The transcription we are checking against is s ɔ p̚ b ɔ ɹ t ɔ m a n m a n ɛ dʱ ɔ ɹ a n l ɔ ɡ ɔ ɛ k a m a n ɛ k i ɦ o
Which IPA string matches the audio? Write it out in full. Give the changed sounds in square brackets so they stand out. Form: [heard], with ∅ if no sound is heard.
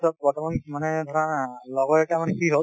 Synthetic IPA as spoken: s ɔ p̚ b ɔ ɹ t ɔ m a n m a n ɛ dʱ ɔ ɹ a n l ɔ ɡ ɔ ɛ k a m a n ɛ k i ɦ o